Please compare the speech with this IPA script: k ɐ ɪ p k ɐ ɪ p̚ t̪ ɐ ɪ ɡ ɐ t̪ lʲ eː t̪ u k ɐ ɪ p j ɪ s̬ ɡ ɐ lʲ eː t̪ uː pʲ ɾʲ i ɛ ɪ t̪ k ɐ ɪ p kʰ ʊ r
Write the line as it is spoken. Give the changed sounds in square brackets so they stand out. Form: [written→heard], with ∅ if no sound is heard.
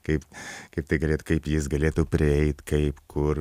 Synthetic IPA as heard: k ɐ ɪ p k ɐ ɪ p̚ t̪ ɐ ɪ ɡ ɐ [t̪→∅] lʲ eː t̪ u k ɐ ɪ p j ɪ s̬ ɡ ɐ lʲ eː t̪ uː pʲ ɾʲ [i→ɪ] ɛ ɪ t̪ k ɐ ɪ p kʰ ʊ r